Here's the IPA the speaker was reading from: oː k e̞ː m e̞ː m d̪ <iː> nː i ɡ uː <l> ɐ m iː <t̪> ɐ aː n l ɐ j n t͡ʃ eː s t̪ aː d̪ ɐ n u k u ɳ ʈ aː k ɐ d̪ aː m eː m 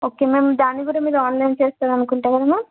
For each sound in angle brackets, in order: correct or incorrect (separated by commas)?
incorrect, incorrect, incorrect